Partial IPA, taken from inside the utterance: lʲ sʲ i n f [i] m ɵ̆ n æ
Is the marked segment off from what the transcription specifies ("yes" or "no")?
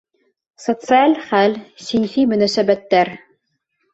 no